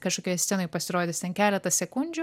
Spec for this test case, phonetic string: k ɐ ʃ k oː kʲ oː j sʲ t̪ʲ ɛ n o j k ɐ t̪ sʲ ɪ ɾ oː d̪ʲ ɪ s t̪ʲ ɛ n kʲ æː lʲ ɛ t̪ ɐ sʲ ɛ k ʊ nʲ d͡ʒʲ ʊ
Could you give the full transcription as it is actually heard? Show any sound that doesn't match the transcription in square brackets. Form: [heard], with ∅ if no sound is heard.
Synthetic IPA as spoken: k ɐ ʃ k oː kʲ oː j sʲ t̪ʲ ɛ n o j [p] ɐ [∅] sʲ ɪ ɾ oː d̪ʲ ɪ s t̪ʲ ɛ n kʲ æː lʲ ɛ t̪ ɐ sʲ ɛ k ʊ nʲ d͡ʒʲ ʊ